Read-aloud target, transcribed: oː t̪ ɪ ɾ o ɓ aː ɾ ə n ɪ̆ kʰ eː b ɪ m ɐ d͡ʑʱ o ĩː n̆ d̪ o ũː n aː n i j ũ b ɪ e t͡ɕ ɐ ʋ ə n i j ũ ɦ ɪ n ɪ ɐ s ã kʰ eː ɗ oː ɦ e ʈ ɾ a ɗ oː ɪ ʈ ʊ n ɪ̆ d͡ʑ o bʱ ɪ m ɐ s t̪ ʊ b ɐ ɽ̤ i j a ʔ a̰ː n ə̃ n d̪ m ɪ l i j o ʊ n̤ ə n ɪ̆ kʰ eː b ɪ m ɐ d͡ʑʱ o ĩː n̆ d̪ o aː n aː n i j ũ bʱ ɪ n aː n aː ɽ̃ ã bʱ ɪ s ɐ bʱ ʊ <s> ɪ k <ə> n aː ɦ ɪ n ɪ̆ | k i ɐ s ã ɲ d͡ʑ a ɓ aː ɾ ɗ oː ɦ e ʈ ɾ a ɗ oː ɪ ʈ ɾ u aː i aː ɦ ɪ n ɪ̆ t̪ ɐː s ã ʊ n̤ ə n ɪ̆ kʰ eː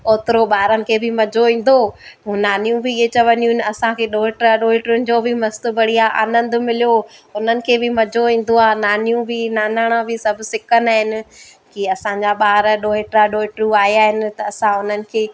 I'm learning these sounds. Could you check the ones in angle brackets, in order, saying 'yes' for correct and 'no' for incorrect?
yes, yes

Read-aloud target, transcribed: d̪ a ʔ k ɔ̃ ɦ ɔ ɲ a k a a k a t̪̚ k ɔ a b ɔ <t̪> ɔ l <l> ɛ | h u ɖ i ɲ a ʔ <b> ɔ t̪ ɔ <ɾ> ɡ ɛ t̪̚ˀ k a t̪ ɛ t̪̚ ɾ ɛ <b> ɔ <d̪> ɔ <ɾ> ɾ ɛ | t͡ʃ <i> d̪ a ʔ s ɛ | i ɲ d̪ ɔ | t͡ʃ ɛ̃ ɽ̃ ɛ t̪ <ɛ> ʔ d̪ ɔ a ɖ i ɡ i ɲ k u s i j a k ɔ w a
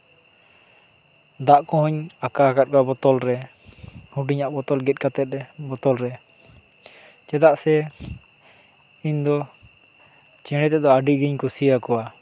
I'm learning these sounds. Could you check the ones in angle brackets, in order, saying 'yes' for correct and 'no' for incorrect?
yes, no, yes, no, yes, no, no, no, yes

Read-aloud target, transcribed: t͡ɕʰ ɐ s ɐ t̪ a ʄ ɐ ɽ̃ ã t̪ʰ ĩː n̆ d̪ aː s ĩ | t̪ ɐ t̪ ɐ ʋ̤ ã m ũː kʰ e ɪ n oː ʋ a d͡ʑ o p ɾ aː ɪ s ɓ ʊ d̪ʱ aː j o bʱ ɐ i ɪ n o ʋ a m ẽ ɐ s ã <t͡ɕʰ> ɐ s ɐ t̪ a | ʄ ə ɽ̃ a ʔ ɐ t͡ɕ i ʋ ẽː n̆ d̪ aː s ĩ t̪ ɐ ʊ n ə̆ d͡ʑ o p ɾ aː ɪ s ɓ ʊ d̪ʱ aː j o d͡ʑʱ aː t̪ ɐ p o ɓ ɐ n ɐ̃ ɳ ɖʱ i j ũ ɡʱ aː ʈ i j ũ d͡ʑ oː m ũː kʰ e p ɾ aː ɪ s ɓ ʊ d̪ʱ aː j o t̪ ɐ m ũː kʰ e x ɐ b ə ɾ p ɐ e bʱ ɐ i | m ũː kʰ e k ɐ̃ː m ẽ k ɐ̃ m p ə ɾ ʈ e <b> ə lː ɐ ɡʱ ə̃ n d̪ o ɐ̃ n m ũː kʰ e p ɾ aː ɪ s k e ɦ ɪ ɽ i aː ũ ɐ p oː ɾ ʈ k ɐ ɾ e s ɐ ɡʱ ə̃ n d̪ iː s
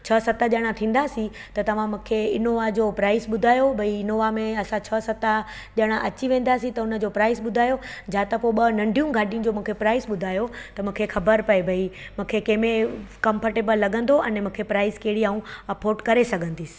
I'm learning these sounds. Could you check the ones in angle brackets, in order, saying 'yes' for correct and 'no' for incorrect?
yes, yes

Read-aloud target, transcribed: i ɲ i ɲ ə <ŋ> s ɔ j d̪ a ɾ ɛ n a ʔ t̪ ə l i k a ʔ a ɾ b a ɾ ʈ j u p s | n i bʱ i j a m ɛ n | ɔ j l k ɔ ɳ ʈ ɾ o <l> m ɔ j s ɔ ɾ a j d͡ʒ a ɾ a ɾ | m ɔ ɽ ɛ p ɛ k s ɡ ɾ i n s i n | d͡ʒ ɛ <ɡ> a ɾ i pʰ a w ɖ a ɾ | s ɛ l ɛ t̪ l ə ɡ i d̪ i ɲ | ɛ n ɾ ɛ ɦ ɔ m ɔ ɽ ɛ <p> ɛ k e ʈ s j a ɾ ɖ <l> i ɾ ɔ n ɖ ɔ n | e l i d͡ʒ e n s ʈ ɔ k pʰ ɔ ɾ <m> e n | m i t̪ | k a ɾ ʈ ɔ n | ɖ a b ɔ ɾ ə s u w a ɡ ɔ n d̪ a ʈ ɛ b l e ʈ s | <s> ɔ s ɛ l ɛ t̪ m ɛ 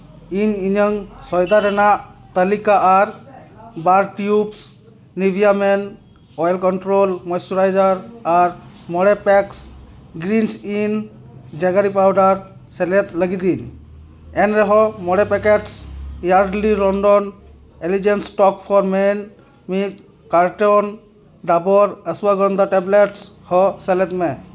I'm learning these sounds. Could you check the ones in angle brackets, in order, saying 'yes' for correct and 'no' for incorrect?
yes, yes, yes, yes, yes, yes, no

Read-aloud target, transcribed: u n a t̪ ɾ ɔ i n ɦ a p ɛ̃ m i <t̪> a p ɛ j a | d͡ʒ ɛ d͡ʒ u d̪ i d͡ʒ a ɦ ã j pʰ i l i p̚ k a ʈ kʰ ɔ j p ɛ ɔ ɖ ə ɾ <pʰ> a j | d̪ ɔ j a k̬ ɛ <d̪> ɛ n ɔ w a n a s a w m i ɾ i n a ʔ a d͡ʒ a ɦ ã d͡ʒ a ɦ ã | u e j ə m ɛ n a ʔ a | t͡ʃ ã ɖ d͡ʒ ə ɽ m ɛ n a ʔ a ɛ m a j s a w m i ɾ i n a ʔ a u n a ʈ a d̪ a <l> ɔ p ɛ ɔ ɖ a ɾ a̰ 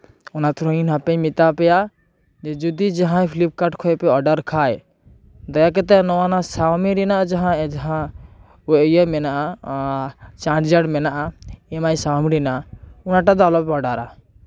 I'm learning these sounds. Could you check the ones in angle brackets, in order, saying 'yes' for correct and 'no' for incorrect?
yes, no, no, yes

